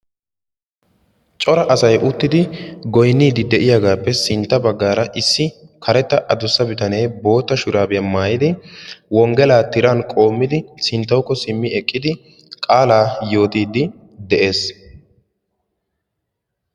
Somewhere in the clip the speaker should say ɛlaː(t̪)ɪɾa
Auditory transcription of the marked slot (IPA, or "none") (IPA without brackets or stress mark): t̪